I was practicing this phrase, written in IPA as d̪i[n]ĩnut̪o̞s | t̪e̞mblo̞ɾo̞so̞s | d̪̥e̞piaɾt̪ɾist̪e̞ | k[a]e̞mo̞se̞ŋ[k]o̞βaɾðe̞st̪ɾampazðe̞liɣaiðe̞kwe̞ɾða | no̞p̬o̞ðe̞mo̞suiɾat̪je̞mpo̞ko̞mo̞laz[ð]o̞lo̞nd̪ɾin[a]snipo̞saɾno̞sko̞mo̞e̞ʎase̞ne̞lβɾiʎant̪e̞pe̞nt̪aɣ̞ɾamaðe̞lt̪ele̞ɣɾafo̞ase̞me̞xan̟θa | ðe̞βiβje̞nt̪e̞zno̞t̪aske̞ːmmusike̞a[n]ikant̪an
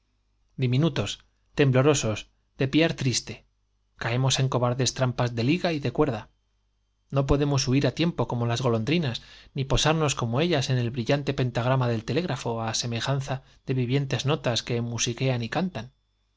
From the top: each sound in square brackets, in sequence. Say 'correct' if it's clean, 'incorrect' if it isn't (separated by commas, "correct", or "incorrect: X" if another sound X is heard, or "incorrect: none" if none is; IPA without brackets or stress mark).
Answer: incorrect: m, correct, correct, incorrect: ɣ, correct, correct